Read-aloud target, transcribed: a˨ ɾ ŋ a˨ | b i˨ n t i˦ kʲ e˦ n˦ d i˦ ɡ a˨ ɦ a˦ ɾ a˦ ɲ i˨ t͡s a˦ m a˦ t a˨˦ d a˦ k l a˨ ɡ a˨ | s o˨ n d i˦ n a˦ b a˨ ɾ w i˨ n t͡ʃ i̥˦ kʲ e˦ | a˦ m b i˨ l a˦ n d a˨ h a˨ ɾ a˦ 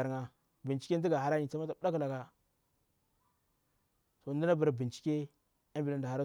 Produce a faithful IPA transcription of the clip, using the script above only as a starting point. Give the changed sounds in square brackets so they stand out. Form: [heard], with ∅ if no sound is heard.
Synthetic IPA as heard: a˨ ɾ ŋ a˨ | b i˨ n [t͡ʃ] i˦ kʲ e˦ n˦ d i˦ ɡ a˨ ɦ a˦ ɾ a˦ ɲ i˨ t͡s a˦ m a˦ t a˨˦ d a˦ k l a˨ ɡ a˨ | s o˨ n d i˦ n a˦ b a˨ ɾ [b] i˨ n t͡ʃ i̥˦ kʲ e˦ | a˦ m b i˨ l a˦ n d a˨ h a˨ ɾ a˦